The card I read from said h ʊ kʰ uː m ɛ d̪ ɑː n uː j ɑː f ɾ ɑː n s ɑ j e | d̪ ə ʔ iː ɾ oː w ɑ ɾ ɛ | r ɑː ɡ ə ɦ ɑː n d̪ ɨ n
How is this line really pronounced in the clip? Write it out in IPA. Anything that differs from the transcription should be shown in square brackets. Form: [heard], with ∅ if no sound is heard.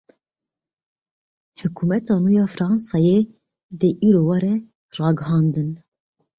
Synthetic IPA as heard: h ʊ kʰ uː m ɛ [t̪] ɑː n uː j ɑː f ɾ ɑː n s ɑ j e | d̪ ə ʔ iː ɾ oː w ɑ ɾ ɛ | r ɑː ɡ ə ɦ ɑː n d̪ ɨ n